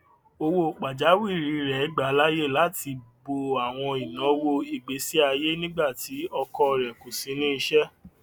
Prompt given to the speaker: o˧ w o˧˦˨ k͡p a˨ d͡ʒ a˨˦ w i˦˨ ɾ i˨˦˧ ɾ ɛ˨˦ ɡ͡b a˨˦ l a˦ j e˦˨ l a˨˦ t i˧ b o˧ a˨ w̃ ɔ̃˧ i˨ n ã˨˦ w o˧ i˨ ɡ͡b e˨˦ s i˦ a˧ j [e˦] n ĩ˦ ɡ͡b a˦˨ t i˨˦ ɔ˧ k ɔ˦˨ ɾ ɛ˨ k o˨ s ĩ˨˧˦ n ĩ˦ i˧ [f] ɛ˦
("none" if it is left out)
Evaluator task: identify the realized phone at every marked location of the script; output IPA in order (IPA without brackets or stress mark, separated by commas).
e˦, ʃ